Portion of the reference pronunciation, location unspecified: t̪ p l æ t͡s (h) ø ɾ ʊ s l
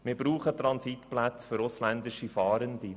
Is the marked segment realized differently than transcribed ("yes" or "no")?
yes